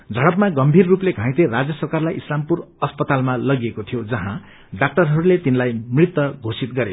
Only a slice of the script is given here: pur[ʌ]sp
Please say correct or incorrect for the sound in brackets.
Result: correct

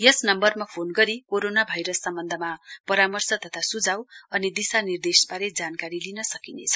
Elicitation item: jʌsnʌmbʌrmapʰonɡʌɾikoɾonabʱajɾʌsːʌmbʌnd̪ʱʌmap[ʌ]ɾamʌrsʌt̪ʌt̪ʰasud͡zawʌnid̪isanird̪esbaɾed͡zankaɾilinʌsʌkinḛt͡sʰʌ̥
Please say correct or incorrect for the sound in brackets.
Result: correct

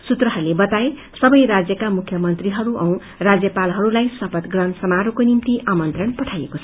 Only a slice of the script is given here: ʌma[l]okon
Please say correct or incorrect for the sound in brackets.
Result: incorrect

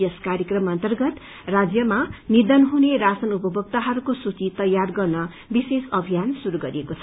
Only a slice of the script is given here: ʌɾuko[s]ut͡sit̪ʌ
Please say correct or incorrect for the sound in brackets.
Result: correct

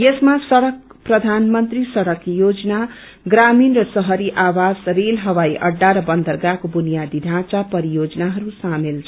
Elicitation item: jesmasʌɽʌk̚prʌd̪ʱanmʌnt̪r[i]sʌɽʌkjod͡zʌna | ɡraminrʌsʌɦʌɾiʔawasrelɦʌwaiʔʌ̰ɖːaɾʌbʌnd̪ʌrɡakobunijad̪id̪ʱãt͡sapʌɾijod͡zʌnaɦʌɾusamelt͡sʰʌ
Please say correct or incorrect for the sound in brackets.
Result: correct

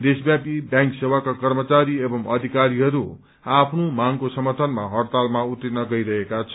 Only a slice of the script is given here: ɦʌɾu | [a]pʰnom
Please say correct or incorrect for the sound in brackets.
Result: correct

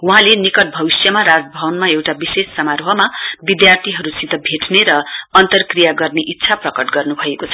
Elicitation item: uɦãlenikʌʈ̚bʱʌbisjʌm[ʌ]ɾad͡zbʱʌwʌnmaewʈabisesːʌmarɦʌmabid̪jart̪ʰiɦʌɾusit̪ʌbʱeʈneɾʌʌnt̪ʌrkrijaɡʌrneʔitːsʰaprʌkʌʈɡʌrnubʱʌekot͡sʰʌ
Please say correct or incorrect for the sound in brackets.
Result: incorrect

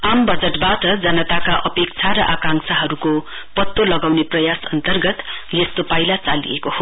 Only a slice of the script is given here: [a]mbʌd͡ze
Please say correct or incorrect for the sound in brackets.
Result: correct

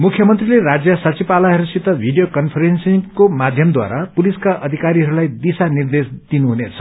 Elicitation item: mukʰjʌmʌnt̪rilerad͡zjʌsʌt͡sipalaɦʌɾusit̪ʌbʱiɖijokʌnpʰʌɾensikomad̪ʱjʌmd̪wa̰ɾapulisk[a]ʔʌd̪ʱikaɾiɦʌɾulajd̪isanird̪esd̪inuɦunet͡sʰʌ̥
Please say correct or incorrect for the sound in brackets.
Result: correct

